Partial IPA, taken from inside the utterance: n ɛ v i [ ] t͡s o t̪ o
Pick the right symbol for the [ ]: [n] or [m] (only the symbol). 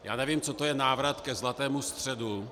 m